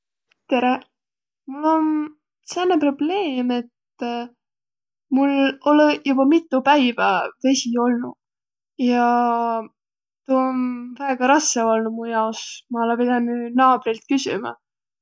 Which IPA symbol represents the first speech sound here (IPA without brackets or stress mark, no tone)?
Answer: t̪